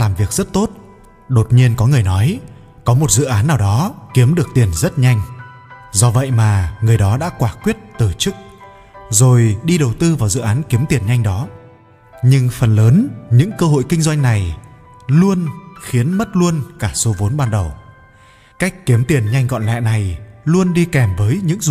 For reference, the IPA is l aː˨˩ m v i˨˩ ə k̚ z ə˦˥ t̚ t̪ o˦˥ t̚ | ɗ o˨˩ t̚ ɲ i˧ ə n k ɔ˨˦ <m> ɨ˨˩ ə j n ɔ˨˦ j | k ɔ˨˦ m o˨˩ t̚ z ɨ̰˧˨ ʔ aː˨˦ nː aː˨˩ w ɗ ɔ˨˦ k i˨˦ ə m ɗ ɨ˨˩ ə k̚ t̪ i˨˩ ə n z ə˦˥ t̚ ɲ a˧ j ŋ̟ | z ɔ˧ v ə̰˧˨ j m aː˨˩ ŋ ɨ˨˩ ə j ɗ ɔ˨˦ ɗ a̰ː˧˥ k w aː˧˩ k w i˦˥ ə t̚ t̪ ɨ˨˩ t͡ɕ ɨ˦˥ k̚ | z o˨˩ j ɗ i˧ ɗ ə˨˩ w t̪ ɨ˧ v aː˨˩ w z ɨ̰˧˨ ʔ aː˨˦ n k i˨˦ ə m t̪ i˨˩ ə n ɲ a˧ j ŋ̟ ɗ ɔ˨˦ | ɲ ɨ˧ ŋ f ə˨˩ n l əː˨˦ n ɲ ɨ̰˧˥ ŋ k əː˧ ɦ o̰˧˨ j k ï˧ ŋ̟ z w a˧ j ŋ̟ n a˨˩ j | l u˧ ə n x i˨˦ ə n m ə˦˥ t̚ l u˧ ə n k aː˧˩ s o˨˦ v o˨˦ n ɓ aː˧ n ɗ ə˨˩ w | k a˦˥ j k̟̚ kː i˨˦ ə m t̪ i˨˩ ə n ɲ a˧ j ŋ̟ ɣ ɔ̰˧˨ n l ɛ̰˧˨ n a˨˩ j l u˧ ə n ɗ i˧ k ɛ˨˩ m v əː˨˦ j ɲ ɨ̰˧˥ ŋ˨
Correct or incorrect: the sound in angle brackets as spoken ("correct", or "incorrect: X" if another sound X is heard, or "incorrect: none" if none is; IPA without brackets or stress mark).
incorrect: ŋ